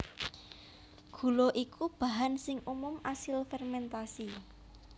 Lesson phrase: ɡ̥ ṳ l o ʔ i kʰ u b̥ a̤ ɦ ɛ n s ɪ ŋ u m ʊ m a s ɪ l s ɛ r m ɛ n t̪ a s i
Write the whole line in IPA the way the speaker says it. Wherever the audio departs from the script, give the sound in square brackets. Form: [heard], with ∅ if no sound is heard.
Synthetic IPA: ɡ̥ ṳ l o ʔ i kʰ u b̥ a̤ ɦ [a] n s ɪ ŋ u m ʊ m a s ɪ l [f] ɛ r m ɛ n t̪ a s i